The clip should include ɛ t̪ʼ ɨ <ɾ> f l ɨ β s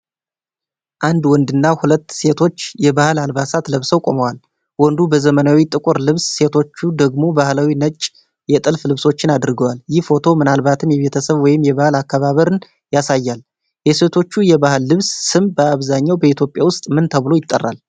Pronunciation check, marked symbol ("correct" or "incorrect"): incorrect